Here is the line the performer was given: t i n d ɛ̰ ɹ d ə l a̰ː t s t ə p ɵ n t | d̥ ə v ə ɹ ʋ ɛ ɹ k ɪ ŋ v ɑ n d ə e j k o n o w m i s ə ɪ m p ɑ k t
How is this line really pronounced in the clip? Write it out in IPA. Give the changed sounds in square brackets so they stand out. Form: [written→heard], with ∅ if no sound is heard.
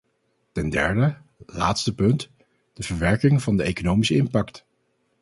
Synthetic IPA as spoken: t [i→ɛ] n d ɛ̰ ɹ d ə l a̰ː t s t ə p ɵ n t | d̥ ə v ə ɹ ʋ ɛ ɹ k ɪ ŋ v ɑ n d ə e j k o n o w m i s ə ɪ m p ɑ k t